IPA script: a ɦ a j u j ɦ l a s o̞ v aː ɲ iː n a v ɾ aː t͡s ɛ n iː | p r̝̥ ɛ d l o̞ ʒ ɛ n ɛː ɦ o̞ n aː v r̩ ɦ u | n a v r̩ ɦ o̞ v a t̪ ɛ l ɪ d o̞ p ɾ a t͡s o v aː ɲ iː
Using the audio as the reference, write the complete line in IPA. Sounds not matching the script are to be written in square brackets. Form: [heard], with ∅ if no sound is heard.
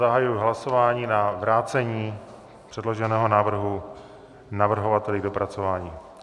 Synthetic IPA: a ɦ a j u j ɦ l a s o̞ v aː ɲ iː n a v ɾ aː t͡s ɛ [ɲ] iː | p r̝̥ ɛ d l o̞ ʒ ɛ n ɛː ɦ o̞ n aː v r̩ ɦ u | n a v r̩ ɦ o̞ v a t̪ ɛ l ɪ d o̞ p ɾ a t͡s o v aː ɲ iː